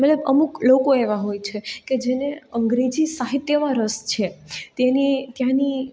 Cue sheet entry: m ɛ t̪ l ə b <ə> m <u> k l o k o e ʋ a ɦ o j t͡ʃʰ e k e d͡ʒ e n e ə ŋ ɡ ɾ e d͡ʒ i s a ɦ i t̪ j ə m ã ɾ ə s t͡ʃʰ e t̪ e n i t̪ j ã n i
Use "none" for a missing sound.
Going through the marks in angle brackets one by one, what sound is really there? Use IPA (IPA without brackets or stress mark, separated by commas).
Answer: ə, u